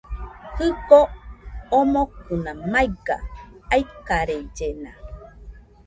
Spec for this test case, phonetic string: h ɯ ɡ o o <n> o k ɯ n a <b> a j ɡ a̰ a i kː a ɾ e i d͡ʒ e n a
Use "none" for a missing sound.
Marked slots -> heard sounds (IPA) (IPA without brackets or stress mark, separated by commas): m, m